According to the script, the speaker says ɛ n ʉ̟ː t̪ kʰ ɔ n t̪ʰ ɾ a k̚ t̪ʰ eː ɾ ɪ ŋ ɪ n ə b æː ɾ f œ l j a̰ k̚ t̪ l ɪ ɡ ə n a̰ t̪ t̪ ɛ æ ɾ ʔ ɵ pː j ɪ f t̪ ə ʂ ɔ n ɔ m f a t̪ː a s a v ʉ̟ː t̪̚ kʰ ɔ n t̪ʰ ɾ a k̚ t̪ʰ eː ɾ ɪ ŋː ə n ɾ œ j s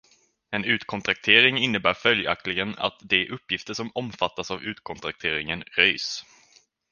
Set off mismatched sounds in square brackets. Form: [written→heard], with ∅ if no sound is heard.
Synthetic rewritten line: ɛ n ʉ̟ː t̪ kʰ ɔ n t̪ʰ ɾ a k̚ t̪ʰ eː ɾ ɪ ŋ ɪ [n→nː] ə b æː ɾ f œ l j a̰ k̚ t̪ l ɪ ɡ ə n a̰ t̪ [t̪→d̪] ɛ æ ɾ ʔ ɵ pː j ɪ f t̪ ə ʂ ɔ [n→m] ɔ m f a t̪ː a s a v ʉ̟ː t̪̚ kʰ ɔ n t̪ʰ ɾ a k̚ t̪ʰ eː ɾ ɪ [ŋː→ŋ] ə n ɾ œ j s